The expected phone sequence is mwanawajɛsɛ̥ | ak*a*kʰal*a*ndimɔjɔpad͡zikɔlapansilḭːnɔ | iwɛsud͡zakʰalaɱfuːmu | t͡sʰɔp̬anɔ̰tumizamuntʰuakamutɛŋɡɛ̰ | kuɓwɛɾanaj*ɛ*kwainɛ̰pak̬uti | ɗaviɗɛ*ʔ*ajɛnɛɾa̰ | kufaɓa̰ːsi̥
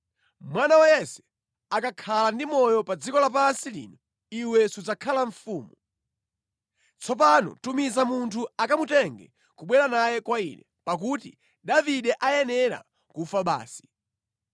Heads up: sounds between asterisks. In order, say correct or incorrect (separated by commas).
correct, correct, correct, correct